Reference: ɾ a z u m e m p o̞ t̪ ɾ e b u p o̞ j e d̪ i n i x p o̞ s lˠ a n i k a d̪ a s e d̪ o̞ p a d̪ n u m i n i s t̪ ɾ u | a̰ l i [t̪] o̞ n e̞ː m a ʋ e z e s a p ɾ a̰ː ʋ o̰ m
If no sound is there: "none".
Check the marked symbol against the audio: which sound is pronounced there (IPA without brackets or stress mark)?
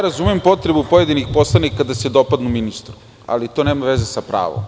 t̪